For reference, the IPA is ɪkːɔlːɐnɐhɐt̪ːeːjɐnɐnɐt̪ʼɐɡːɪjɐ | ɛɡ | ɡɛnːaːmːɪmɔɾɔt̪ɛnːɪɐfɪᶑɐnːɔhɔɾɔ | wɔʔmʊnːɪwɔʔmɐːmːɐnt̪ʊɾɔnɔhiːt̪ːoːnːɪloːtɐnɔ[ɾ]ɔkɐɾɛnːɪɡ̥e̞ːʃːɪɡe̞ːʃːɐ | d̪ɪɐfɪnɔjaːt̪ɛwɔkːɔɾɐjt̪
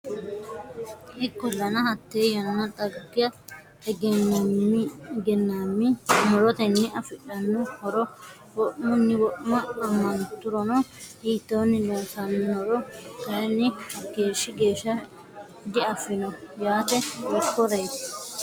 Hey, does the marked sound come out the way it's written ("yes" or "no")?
yes